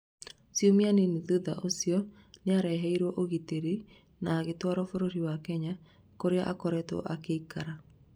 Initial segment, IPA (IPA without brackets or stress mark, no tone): s